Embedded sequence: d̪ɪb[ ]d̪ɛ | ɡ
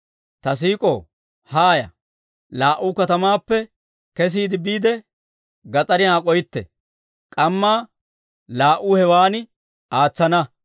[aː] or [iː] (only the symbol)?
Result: iː